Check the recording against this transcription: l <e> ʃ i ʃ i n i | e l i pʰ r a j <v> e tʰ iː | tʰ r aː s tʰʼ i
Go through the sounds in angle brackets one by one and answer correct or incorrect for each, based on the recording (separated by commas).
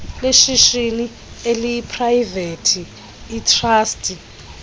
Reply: correct, correct